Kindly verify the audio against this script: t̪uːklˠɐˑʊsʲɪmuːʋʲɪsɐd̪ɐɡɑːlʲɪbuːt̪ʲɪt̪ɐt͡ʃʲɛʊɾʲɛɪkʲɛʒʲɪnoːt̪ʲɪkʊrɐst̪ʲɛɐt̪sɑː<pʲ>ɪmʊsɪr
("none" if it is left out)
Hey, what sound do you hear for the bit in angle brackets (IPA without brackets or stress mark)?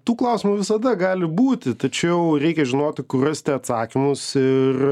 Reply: kʲ